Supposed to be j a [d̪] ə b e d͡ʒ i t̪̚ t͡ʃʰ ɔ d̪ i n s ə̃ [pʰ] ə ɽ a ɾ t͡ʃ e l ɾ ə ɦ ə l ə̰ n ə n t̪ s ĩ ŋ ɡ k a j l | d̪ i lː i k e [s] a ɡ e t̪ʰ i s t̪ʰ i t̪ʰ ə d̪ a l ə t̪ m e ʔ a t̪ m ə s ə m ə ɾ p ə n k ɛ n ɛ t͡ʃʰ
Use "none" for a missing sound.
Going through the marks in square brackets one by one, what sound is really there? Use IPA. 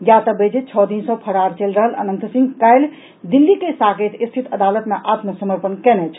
t̪, pʰ, s

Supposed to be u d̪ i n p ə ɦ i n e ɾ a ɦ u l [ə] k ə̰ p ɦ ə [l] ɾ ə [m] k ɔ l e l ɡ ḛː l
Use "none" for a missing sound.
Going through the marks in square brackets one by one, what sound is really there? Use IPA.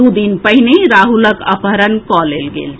ə, none, n

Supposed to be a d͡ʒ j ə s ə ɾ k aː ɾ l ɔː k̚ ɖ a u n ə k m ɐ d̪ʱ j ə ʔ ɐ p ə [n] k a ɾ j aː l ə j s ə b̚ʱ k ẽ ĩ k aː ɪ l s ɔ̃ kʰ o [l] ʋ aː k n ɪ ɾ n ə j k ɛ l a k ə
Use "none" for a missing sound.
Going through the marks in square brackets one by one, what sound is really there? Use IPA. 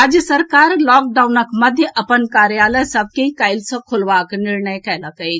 n, l

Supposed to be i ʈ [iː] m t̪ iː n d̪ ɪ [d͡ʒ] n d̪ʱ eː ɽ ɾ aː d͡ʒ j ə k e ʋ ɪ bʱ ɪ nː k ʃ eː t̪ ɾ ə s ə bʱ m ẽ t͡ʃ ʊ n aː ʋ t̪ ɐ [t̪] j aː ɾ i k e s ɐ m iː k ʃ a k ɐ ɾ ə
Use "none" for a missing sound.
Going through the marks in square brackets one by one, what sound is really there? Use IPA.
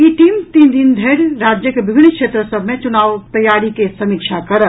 iː, none, none

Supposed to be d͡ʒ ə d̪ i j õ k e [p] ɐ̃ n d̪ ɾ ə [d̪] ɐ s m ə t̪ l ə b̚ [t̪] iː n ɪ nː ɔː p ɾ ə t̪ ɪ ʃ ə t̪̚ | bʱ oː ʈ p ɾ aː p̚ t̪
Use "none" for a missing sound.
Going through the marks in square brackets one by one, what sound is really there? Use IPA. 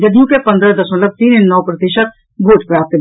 p, d̪, t̪

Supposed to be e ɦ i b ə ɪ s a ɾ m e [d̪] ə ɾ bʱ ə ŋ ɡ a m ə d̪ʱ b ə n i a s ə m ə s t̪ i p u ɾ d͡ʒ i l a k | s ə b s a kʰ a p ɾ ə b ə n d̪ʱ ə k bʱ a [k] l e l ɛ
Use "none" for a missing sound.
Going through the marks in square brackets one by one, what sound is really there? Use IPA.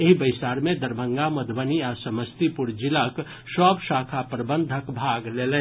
d̪, ɡ

